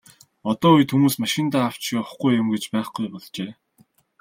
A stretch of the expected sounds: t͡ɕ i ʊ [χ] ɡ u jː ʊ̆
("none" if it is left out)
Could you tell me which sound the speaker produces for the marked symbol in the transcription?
χ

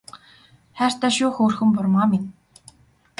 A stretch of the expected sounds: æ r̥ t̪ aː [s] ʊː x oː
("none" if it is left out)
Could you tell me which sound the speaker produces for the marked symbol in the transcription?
ʃ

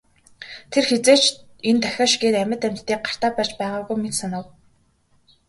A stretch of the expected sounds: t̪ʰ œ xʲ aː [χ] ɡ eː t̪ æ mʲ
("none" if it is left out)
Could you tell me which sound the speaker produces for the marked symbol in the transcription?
ʃ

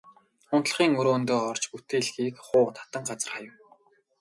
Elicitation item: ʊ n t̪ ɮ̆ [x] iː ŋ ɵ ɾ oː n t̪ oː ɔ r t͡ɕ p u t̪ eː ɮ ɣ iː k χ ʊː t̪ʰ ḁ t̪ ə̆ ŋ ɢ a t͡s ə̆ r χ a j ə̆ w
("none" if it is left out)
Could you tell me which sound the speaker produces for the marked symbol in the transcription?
χ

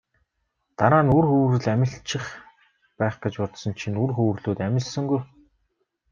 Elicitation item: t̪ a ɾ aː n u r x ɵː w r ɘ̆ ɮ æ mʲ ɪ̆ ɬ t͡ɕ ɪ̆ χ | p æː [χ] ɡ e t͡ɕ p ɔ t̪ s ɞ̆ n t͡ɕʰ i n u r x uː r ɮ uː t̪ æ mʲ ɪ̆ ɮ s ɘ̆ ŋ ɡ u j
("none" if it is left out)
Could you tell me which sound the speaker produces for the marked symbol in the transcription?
χ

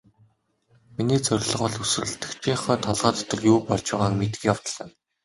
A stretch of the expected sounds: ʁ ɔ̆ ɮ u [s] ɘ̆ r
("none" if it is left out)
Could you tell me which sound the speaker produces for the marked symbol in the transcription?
s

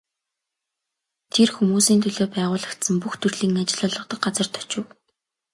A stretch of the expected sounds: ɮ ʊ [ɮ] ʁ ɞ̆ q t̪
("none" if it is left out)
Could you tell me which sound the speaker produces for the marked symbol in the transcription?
ɮ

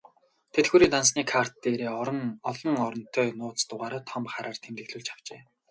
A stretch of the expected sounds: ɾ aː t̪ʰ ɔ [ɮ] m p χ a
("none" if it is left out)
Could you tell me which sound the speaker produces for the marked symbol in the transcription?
none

